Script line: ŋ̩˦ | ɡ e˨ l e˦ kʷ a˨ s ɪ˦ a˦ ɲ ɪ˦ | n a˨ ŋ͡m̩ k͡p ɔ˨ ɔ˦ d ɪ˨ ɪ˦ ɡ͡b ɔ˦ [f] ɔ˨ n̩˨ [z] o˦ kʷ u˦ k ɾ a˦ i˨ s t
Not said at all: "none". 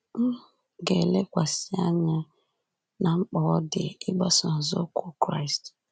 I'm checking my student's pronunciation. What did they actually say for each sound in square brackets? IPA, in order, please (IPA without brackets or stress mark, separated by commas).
s, z